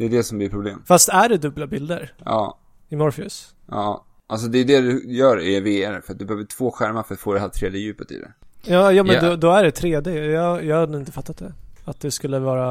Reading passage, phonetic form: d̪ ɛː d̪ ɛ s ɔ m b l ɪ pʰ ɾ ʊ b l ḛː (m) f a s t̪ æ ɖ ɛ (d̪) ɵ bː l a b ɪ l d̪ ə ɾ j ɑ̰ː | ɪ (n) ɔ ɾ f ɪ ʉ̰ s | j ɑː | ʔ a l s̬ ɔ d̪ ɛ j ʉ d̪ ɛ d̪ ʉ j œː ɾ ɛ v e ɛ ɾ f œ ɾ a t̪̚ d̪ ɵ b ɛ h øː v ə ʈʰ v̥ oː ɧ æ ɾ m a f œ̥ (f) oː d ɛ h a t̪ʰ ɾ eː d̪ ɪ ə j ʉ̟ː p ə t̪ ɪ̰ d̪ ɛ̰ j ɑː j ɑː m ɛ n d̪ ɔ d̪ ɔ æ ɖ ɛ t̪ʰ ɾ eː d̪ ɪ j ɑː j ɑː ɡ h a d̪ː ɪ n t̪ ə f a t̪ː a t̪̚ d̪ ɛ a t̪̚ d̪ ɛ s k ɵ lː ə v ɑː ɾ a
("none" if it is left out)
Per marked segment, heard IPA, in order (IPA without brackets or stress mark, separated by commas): m, d̪, m, f